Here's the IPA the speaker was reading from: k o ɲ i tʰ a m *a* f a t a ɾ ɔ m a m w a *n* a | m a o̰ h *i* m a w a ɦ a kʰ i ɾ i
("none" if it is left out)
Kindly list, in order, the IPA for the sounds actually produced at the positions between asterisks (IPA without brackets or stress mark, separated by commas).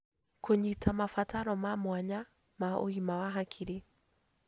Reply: a, ɲ, i